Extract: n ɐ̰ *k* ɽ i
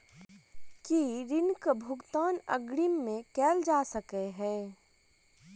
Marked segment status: incorrect: ɡ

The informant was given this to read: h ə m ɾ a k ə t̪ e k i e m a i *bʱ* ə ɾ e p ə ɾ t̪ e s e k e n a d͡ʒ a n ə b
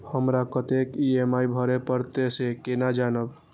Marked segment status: correct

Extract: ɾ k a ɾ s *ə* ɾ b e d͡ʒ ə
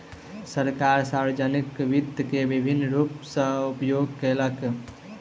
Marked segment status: incorrect: a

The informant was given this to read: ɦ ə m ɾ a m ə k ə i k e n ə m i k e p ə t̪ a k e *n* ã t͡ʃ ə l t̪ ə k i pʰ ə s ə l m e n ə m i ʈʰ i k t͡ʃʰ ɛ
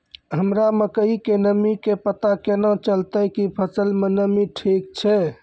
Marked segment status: correct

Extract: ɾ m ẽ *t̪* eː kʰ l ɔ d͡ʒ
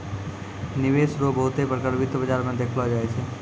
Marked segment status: incorrect: d̪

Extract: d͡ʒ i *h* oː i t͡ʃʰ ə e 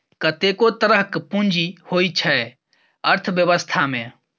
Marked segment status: correct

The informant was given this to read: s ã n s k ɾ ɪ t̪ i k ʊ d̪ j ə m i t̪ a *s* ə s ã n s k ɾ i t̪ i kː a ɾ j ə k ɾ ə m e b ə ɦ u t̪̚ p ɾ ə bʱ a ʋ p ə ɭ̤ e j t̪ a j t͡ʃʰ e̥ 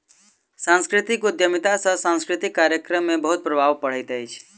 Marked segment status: correct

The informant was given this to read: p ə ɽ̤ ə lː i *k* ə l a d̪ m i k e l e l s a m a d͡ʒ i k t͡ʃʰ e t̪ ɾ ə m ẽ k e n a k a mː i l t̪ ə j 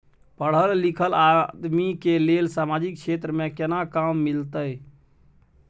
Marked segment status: incorrect: kʰ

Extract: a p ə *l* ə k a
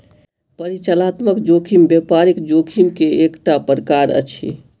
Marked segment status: incorrect: ɾ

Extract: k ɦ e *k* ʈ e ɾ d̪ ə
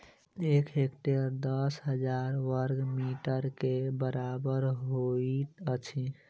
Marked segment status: correct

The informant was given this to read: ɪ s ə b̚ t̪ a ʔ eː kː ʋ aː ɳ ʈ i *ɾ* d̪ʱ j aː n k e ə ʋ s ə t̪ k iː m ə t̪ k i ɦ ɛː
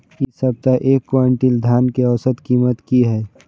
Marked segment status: incorrect: l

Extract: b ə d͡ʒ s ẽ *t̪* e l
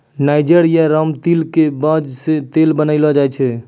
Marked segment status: correct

